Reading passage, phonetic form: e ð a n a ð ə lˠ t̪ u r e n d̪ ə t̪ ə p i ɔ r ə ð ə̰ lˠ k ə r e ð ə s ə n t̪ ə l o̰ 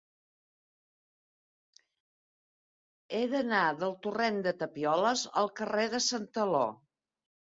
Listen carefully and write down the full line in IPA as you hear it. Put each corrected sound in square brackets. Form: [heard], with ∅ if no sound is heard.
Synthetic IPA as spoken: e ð [ə] n a ð ə lˠ t̪ u r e n d̪ ə t̪ ə p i ɔ [l] ə [z] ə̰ lˠ k ə r e ð ə s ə n t̪ ə l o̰